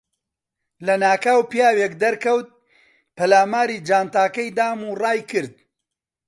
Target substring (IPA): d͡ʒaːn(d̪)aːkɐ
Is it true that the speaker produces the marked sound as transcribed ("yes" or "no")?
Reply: no